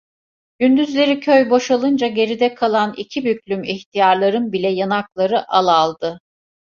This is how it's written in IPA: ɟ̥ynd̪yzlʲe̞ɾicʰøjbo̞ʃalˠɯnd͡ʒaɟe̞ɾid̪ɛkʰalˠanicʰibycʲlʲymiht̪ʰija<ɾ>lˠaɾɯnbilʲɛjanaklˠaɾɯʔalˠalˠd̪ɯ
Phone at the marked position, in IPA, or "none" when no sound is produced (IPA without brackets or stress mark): ɾ